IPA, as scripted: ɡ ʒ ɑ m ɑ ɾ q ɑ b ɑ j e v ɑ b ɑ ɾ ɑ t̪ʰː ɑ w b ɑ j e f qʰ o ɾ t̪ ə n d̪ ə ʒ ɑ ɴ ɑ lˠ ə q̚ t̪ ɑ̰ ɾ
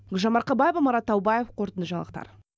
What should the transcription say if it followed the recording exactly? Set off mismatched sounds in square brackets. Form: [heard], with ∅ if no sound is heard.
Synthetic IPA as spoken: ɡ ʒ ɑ m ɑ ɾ q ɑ b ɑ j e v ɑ [m] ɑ ɾ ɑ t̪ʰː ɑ w b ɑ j e f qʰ o ɾ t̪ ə n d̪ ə ʒ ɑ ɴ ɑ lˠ ə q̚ t̪ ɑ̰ ɾ